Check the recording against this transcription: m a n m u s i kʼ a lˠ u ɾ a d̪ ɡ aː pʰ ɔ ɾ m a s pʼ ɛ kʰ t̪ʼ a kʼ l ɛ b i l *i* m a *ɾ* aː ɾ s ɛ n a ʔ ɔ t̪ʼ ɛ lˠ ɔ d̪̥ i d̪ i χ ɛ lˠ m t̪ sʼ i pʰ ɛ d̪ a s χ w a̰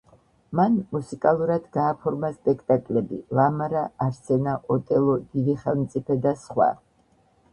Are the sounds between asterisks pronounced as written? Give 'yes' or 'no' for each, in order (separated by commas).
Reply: no, yes